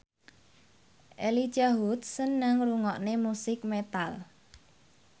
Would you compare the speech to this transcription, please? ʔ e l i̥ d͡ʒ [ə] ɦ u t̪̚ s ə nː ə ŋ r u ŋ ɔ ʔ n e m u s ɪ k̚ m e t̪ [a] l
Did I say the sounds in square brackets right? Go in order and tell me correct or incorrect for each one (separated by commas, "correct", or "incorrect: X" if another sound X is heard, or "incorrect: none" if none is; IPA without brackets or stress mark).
incorrect: a, correct